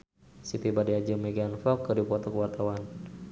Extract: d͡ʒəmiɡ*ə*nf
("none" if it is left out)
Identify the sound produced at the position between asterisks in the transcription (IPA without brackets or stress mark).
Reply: a